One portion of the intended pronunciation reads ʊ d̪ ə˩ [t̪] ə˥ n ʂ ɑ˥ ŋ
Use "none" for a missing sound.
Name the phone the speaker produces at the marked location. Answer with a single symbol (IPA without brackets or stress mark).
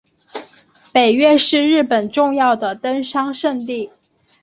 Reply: t̪